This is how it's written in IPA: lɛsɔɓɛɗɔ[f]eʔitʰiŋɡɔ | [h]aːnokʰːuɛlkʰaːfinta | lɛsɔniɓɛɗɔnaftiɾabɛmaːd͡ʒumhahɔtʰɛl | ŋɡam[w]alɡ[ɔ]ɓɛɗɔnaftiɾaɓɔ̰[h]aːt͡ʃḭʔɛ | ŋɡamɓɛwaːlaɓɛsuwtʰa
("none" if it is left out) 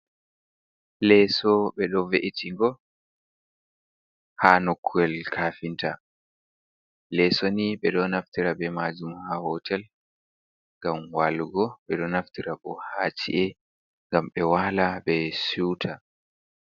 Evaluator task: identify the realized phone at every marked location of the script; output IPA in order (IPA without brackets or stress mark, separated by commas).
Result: v, h, w, ɔ, h